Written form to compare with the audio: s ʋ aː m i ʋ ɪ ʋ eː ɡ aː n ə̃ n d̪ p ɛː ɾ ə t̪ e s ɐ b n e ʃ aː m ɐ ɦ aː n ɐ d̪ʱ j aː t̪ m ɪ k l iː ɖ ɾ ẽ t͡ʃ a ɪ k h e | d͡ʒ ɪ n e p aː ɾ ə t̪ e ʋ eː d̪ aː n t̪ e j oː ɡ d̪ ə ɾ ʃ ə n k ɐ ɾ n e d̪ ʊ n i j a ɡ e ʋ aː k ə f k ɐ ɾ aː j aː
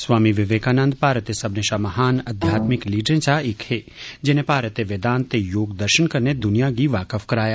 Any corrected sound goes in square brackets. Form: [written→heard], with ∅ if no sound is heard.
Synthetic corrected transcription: s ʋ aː m i ʋ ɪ ʋ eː [ɡ→k] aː n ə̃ n d̪ p [ɛː→aː] ɾ ə t̪ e s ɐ b n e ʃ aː m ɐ ɦ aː n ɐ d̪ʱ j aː t̪ m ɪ k l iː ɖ ɾ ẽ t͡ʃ a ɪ k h e | d͡ʒ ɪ n e p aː ɾ ə t̪ e ʋ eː d̪ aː n t̪ e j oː ɡ d̪ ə ɾ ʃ ə n k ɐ ɾ n e d̪ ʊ n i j a ɡ [e→i] ʋ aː k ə f k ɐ ɾ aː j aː